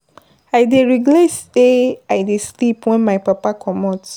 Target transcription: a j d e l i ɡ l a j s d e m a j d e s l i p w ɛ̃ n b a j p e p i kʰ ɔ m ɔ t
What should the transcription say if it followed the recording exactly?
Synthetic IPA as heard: a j d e ɹ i ɡ l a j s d e a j d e s l i p w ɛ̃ n m a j p a p a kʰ ɔ m ɔ t